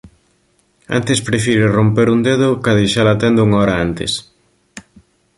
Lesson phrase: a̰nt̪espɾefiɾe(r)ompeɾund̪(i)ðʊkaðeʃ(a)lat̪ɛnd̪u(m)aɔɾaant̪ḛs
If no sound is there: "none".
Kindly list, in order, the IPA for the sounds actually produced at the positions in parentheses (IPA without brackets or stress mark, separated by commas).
r, e, a, ŋ